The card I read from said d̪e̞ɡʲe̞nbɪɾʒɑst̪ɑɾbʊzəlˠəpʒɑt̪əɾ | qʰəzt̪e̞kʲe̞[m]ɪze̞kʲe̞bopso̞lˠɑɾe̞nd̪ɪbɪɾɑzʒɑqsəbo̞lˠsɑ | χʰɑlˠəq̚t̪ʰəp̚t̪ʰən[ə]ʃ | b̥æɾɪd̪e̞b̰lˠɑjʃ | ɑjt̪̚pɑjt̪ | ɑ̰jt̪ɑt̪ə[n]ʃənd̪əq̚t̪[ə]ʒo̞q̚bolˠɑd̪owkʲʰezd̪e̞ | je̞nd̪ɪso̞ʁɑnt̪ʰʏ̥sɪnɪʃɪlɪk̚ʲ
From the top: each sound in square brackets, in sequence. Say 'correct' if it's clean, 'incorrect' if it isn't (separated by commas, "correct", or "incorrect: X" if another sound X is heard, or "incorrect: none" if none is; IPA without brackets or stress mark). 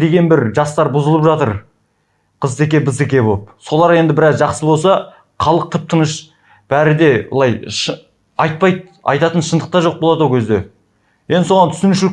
incorrect: b, correct, correct, incorrect: ɑ